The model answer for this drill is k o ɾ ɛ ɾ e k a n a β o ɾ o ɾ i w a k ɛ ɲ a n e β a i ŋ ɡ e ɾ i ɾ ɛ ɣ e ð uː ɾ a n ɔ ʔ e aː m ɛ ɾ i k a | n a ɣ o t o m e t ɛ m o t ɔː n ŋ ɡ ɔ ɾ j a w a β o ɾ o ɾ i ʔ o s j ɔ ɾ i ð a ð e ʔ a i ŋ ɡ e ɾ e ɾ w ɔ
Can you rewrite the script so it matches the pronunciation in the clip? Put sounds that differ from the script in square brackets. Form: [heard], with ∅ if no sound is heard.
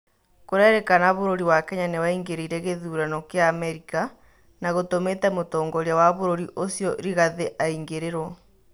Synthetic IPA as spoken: k o ɾ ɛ ɾ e k a n a β o ɾ o ɾ i w a k ɛ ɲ a n e [w] a i ŋ ɡ e ɾ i ɾ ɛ ɣ e ð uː ɾ a n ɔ [k] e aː m ɛ ɾ i k a | n a ɣ o t o m e t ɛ m o t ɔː [∅] ŋ ɡ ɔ ɾ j a w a β o ɾ o ɾ i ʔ o s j ɔ ɾ i [ɣ] a ð e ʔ a i ŋ ɡ e ɾ e ɾ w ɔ